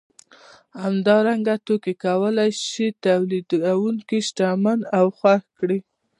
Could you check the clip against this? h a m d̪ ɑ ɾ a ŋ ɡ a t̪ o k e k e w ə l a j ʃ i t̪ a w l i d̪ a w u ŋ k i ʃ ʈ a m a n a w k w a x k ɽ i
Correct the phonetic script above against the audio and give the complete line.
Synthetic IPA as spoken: h a m d̪ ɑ ɾ a ŋ ɡ a t̪ o k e k a w ə l a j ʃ i t̪ a w l i d̪ a w u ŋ k i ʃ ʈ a m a n a w x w a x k ɽ i